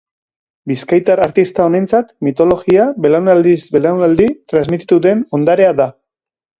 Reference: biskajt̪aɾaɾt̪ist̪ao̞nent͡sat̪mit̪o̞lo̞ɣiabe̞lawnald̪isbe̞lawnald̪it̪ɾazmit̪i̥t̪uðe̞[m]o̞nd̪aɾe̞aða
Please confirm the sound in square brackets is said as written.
no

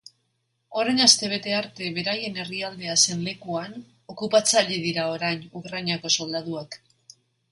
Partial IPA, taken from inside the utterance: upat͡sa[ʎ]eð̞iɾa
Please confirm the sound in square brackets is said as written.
yes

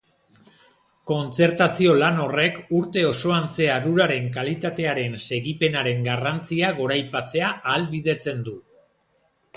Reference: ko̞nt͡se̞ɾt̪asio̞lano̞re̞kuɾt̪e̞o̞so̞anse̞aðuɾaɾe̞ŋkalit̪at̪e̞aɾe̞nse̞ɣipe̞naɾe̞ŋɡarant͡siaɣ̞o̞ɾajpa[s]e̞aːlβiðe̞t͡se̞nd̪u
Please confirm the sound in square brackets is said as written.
no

